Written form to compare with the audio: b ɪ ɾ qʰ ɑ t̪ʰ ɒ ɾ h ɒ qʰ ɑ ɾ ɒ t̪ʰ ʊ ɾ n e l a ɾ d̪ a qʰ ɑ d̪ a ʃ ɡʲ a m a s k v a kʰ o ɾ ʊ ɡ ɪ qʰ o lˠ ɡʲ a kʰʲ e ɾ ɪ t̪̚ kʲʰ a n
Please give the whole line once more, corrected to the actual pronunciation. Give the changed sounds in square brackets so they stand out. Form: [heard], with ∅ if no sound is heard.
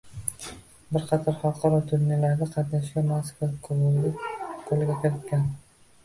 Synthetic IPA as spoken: b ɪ ɾ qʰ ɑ t̪ʰ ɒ ɾ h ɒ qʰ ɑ ɾ ɒ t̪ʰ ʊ ɾ n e l a ɾ d̪ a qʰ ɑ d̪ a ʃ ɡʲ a m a s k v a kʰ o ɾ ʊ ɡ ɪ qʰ o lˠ ɡʲ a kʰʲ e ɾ ɪ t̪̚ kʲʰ a n

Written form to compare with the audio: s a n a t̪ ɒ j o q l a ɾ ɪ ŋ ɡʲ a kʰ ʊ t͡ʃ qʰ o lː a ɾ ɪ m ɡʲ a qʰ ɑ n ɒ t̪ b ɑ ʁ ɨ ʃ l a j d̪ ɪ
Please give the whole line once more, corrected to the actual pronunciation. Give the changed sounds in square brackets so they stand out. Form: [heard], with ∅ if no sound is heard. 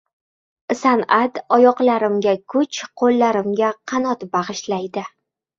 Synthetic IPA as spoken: s a n a t̪ ɒ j [ɒ] q l a ɾ ɪ [m] ɡʲ a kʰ ʊ t͡ʃ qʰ o lː a ɾ ɪ m ɡʲ a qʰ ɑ n ɒ t̪ b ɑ ʁ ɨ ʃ l a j d̪ ɪ

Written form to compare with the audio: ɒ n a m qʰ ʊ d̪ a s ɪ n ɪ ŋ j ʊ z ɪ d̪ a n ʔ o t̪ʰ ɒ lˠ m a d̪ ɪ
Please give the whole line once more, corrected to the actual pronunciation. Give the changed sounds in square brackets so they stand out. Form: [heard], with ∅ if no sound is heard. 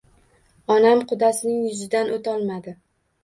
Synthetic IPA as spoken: ɒ n a m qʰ ʊ d̪ a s ɪ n ɪ ŋ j ʊ z ɪ d̪ a n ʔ o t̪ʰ ɒ lˠ m a d̪ ɪ

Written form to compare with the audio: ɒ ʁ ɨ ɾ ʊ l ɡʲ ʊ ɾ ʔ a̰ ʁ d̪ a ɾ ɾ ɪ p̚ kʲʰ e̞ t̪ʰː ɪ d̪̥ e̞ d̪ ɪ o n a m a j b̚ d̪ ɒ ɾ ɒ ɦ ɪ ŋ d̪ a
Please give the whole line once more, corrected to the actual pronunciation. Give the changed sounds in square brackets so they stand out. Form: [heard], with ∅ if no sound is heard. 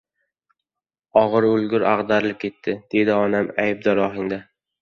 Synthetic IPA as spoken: ɒ ʁ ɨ ɾ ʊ l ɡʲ ʊ ɾ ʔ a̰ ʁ d̪ a ɾ [l] ɪ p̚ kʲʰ e̞ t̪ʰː ɪ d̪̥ e̞ d̪ ɪ [ɒ] n a m a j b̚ d̪ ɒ ɾ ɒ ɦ ɪ ŋ d̪ a

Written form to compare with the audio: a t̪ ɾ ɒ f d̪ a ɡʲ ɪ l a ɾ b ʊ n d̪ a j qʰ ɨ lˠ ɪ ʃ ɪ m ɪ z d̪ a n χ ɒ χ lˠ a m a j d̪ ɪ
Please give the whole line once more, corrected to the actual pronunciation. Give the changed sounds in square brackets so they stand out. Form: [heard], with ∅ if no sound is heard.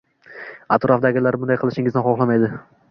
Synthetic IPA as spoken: a t̪ ɾ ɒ f d̪ a ɡʲ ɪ l a ɾ b ʊ n d̪ a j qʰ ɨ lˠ ɪ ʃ ɪ [ŋ] ɪ z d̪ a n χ ɒ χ lˠ a m a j d̪ ɪ

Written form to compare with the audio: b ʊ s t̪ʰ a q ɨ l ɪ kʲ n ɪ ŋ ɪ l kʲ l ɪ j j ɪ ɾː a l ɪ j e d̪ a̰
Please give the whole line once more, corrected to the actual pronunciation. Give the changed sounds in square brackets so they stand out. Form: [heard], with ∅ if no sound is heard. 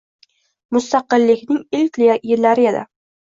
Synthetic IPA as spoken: [m] ʊ s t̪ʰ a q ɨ [lː] ɪ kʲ n ɪ ŋ ɪ l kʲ l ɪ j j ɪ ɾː a [ɾ] ɪ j e d̪ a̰

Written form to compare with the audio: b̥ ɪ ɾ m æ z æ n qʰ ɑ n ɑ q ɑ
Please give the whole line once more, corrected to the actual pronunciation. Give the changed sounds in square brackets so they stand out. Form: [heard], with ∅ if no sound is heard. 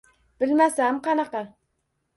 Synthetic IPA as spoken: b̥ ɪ [l] m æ [s] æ [m] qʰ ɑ n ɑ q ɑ

